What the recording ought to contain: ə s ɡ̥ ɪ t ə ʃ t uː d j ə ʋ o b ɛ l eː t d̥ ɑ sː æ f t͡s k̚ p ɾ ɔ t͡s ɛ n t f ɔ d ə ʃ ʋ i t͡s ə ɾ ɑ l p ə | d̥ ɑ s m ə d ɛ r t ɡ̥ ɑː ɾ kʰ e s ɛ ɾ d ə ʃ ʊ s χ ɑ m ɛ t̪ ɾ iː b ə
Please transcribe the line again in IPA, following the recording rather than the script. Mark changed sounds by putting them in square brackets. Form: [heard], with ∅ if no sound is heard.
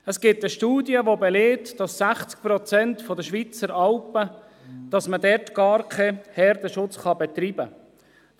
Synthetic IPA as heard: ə s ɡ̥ ɪ t ə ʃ t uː d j ə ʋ o b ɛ l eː t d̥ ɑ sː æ [χ] t͡s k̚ p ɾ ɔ t͡s ɛ n t f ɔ d ə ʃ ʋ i t͡s ə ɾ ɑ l p ə | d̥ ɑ s m ə d ɛ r t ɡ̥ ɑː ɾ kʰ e [h] ɛ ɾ d ə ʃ ʊ [t͡s] χ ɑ [b] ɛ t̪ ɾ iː b ə